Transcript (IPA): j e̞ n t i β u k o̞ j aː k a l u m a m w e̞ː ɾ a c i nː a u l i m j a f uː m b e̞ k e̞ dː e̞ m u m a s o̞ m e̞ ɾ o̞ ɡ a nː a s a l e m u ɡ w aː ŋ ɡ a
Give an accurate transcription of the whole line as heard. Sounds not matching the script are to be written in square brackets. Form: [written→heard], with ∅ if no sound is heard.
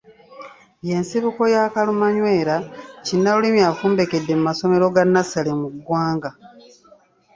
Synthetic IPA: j e̞ n [t→s] i β u k o̞ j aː k a l u m a [m→ɲ] w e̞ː ɾ a c i nː a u l i m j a f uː m b e̞ k e̞ dː e̞ m u m a s o̞ m e̞ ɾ o̞ ɡ a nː a s a l e m u ɡ w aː ŋ ɡ a